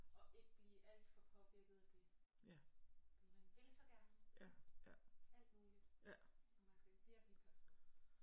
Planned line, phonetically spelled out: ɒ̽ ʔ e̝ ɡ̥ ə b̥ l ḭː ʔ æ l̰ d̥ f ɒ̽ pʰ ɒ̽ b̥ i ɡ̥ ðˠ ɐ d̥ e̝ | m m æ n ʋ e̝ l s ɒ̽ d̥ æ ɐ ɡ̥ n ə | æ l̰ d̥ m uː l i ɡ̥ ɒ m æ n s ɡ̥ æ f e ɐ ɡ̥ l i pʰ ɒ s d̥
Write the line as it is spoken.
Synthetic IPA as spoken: ɒ̽ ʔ e̝ ɡ̥ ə b̥ l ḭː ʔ æ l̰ d̥ f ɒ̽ pʰ ɒ̽ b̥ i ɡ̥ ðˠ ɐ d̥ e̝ | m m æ n ʋ e̝ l s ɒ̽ ɡ̥ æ ɐ n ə | æ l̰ d̥ m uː l i d̥ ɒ m æ n s ɡ̥ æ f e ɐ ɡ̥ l i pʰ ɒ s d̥